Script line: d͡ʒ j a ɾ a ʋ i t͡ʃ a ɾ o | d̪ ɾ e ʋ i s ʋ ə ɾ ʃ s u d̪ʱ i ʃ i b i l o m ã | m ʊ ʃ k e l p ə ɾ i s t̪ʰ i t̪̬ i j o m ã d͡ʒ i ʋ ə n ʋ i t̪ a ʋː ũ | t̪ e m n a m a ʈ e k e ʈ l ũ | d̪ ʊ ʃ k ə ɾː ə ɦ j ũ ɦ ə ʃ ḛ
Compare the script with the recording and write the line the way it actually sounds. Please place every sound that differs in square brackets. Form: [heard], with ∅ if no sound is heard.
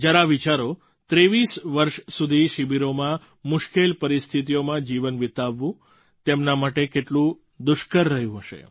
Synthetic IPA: d͡ʒ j a ɾ a ʋ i t͡ʃ a ɾ o | [t̪] ɾ e ʋ i s ʋ ə ɾ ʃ s u d̪ʱ i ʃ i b i [ɾ] o m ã | m ʊ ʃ k e l p ə ɾ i s t̪ʰ i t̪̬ i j o m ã d͡ʒ i ʋ ə n ʋ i t̪ a ʋː ũ | t̪ e m n a m a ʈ e k e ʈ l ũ | d̪ ʊ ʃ k ə ɾː ə ɦ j ũ ɦ ə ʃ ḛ